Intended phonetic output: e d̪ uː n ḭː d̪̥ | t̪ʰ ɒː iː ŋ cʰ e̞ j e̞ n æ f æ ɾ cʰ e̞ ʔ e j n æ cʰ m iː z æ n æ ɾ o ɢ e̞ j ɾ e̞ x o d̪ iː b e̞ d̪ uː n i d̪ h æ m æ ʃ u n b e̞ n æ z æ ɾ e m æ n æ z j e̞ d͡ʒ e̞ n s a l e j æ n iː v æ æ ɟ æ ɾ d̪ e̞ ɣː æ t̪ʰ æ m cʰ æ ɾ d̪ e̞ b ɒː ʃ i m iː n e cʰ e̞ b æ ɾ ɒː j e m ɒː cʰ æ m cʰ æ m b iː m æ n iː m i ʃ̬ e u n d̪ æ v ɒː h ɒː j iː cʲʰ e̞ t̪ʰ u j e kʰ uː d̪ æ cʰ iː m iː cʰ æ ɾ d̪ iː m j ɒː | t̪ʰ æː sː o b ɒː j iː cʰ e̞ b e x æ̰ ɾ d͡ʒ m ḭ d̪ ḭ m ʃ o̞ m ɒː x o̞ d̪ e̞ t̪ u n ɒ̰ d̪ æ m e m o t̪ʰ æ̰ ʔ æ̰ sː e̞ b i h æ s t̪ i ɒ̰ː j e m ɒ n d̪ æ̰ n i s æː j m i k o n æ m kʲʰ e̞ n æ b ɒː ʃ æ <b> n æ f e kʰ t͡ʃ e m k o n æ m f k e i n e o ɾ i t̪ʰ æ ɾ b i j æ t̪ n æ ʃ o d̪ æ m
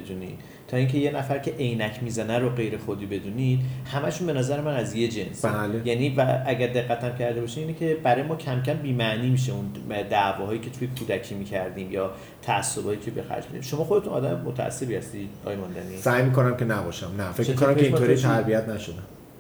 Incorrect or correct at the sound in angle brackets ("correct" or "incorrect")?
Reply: incorrect